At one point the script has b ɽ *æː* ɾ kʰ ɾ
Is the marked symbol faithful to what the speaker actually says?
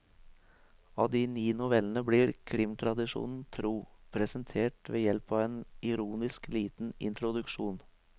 no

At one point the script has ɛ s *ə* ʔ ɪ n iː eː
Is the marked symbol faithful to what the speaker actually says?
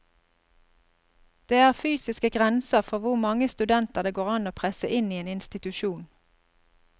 yes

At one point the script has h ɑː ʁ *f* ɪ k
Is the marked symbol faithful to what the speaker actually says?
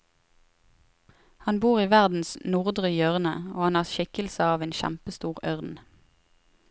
no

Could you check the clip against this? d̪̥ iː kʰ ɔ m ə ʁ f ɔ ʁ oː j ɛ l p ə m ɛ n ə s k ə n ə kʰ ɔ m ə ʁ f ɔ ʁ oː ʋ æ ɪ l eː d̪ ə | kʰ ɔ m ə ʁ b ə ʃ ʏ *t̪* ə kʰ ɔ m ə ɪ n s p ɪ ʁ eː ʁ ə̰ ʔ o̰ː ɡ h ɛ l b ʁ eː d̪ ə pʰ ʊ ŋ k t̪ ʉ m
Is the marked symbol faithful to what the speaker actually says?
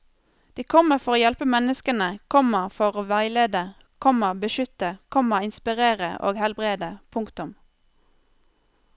yes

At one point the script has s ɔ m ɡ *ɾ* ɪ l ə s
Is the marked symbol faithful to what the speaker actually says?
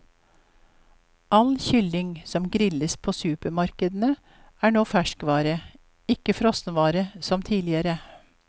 yes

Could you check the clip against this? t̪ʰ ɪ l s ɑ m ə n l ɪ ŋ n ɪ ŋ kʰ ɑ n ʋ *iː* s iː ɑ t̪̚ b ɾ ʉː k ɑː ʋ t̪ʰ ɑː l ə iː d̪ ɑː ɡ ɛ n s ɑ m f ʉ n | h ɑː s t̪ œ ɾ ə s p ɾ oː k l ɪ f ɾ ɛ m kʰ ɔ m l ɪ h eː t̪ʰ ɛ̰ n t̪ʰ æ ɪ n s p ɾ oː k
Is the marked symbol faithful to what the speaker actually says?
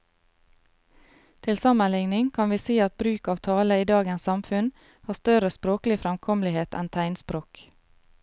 yes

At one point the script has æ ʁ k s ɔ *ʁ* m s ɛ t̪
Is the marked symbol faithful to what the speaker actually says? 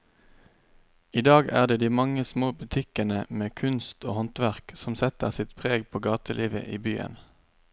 no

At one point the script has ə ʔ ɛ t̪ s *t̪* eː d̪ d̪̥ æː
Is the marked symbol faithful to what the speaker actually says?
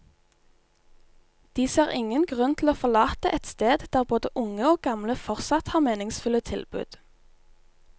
yes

